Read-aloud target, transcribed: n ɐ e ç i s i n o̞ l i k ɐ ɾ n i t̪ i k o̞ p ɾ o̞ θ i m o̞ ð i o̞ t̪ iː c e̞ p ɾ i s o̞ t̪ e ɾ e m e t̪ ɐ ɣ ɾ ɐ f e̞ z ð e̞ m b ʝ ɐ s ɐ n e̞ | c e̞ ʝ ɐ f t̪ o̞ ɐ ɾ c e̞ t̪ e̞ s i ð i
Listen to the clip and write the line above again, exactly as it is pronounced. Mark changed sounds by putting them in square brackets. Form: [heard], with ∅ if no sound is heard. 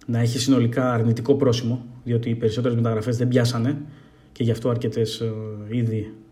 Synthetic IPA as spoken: n ɐ e ç i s i n o̞ l i k [ɐː] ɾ n i t̪ i k o̞ p ɾ o̞ [s] i m o̞ ð i o̞ t̪ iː [p] e̞ [∅] ɾ i s o̞ t̪ e ɾ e m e t̪ ɐ ɣ ɾ ɐ f e̞ z ð e̞ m b ʝ ɐ s ɐ n e̞ | c e̞ ʝ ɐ f t̪ o̞ ɐ ɾ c e̞ t̪ e̞ s i ð i